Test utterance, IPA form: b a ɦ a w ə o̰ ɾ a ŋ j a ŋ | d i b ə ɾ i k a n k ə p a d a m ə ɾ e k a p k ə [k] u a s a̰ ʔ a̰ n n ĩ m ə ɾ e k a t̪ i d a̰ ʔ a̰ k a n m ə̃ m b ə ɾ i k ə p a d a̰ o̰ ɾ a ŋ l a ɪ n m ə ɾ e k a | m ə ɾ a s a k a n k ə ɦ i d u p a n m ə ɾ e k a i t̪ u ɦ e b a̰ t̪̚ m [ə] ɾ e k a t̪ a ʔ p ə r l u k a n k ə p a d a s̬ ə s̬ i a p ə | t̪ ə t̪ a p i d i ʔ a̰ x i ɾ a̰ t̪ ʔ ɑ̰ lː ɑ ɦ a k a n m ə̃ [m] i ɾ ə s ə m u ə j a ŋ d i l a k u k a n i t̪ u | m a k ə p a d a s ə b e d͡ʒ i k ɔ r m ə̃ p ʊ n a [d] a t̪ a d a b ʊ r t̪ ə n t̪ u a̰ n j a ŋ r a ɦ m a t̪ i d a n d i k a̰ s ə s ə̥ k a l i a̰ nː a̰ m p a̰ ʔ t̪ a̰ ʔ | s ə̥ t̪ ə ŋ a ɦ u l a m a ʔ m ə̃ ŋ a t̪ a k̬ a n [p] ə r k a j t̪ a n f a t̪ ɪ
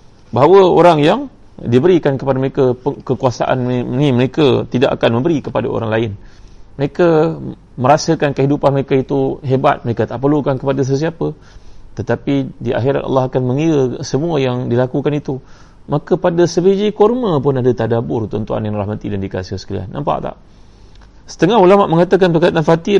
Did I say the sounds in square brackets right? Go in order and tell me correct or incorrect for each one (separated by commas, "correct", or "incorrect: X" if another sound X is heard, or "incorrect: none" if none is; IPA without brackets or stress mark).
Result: correct, correct, incorrect: ŋ, correct, correct